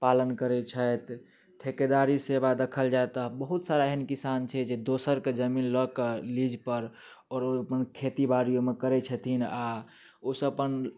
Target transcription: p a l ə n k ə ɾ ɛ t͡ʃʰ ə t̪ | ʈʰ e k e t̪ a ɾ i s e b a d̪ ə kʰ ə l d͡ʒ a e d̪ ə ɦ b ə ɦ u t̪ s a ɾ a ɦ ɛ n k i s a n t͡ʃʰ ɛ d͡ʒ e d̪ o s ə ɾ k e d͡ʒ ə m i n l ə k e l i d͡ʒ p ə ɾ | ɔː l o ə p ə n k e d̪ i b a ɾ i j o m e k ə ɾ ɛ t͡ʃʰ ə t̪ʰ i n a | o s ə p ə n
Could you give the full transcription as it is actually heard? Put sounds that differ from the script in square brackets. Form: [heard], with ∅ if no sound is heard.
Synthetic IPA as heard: p a l ə n k ə ɾ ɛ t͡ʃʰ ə t̪ | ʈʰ e k e [d̪] a ɾ i s e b a d̪ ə kʰ ə l d͡ʒ a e [t̪] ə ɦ b ə ɦ u t̪ s a ɾ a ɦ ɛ n k i s a n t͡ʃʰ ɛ d͡ʒ e d̪ o s ə ɾ k e d͡ʒ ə m i n l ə k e l i d͡ʒ p ə ɾ | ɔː [ɾ] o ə p ə n [kʰ] e [t̪] i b a ɾ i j o m e k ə ɾ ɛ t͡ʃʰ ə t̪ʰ i n a | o s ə p ə n